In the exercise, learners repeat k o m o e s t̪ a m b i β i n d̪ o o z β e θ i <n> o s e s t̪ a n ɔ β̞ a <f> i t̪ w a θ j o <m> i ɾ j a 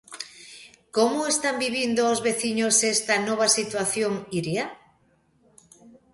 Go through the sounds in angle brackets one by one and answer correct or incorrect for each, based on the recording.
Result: incorrect, incorrect, incorrect

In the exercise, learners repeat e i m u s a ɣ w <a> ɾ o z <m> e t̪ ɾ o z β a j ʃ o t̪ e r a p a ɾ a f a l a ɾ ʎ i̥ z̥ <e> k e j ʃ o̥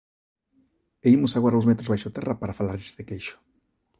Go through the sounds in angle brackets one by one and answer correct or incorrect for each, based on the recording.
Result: correct, correct, correct

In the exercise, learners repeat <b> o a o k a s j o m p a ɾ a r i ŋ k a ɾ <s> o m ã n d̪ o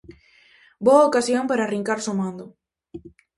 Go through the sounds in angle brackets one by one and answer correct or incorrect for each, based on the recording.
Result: correct, correct

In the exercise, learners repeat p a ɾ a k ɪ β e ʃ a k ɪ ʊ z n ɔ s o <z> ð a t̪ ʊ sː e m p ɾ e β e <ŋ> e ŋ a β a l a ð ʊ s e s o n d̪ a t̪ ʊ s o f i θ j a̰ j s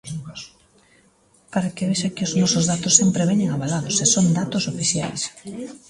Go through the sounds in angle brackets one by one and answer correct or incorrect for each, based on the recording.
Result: correct, incorrect

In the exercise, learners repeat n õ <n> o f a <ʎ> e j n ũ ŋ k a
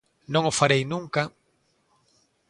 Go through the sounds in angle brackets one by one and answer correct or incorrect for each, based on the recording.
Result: incorrect, incorrect

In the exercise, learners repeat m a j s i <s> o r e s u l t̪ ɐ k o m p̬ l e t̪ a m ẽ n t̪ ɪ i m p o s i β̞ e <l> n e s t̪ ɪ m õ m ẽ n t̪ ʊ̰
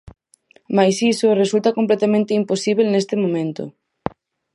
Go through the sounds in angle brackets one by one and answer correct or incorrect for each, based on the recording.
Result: correct, correct

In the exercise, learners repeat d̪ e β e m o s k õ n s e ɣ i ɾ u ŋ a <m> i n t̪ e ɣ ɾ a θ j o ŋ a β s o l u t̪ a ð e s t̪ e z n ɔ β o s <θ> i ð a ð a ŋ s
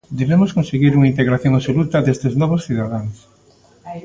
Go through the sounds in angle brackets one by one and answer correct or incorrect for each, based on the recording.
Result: incorrect, correct

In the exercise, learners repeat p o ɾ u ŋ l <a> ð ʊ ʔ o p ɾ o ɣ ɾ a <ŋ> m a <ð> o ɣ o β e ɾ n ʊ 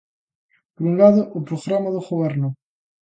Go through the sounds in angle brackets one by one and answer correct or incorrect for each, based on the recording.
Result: correct, incorrect, correct

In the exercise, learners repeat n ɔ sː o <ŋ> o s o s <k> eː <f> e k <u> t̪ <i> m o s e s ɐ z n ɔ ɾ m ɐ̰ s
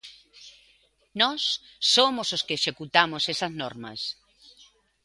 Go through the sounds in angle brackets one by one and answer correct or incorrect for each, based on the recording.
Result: incorrect, correct, incorrect, correct, incorrect

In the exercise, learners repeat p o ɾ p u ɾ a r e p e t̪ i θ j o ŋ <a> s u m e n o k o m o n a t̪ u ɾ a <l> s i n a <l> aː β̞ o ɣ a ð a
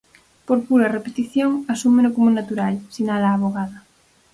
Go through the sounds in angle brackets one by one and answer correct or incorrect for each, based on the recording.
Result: correct, correct, correct

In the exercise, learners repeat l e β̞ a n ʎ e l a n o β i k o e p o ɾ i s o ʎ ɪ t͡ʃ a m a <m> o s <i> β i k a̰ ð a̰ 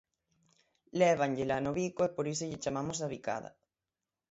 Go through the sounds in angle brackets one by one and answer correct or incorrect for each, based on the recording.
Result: correct, incorrect

